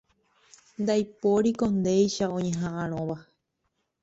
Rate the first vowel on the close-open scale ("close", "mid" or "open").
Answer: open